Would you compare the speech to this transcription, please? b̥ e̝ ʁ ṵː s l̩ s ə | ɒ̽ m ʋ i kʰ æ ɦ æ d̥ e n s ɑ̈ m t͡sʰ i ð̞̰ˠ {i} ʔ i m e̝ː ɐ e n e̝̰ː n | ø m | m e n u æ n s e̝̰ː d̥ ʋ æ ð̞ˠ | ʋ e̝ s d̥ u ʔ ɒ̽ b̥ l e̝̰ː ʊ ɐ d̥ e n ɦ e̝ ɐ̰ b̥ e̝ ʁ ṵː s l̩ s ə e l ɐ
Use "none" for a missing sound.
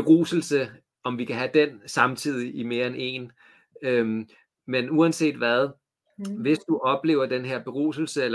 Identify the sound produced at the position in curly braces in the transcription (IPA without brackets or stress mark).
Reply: i